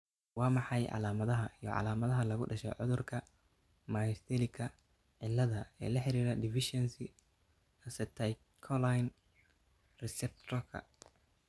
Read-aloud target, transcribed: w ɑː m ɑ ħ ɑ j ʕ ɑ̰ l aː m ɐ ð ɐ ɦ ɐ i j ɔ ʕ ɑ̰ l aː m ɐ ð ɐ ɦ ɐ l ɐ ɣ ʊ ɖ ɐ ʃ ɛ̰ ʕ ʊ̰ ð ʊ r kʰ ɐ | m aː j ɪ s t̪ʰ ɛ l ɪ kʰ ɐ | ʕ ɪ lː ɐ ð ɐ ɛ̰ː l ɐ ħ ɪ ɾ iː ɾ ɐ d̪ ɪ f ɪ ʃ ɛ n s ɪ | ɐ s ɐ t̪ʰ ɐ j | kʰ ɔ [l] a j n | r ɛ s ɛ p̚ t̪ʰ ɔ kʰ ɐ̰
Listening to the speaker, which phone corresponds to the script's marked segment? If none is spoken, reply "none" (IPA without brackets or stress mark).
l